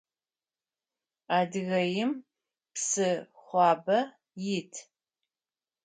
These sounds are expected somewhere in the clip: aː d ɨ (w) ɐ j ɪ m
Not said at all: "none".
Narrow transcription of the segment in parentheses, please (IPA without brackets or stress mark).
ɣ